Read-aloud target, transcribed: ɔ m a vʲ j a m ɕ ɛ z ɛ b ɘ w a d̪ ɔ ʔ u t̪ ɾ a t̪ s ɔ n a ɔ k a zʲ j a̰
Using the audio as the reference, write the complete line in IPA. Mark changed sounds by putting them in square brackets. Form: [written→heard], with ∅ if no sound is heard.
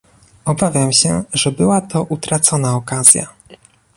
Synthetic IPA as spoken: ɔ [m→b] a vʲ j a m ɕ ɛ [z→ʐ] ɛ b ɘ w a [d̪→t̪] ɔ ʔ u t̪ ɾ a t̪ s ɔ n a ɔ k a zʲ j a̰